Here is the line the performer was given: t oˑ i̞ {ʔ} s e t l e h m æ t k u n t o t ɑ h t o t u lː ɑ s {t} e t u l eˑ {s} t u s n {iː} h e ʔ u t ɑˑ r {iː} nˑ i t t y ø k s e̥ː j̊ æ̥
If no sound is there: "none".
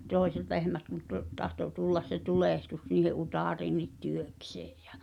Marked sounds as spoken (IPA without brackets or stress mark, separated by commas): none, s, h, iː, iː